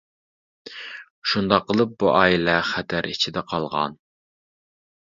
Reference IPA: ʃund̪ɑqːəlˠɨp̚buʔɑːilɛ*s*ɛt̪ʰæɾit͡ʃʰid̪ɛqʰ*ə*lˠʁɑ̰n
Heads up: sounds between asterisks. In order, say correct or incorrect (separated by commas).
incorrect, incorrect